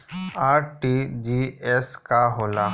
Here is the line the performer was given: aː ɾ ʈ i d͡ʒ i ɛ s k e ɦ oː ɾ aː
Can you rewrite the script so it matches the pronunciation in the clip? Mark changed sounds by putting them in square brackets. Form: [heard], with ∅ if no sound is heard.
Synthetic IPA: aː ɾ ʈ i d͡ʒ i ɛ s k [a] ɦ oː [l] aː